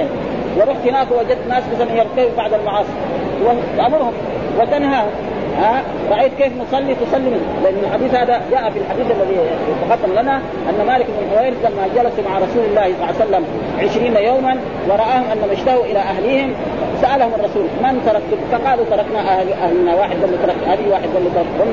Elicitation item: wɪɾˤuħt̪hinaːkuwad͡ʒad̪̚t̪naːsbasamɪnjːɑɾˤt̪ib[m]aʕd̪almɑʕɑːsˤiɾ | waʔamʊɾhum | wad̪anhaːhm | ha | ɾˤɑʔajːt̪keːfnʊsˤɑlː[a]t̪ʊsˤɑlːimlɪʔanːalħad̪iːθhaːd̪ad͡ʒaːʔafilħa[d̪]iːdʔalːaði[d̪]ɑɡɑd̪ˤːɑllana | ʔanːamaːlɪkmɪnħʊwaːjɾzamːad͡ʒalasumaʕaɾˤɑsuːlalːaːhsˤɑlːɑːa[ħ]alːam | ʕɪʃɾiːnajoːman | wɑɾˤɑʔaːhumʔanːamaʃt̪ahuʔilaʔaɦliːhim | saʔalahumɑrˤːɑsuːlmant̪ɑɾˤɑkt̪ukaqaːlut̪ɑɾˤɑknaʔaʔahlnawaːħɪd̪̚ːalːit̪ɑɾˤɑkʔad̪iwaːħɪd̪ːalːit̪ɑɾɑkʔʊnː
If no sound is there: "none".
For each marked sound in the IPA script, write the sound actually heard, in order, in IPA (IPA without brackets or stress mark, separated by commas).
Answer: b, i, d̪, t̪, s